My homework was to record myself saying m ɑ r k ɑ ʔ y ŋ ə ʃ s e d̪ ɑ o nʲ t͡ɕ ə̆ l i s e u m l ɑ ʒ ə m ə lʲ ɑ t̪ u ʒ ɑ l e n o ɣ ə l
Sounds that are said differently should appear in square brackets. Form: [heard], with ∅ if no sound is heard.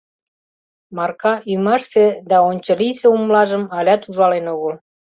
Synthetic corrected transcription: m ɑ r k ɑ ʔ y [m] ə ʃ s e d̪ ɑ o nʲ t͡ɕ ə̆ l i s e u m l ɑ ʒ ə m [ɑ] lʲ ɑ t̪ u ʒ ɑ l e n o ɣ ə l